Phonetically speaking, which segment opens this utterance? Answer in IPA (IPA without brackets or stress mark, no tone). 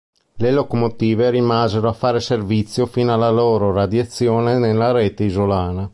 l